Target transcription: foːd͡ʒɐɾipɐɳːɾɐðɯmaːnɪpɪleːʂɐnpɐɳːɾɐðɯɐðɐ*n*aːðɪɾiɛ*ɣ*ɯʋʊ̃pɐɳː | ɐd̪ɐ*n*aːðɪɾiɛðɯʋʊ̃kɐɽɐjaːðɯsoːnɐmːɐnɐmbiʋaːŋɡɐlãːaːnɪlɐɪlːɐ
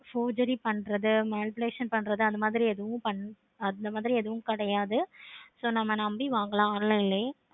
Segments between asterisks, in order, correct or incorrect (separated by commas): incorrect, incorrect, incorrect